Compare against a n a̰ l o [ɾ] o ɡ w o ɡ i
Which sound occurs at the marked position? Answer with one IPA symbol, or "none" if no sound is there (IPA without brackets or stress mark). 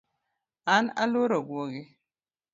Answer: ɾ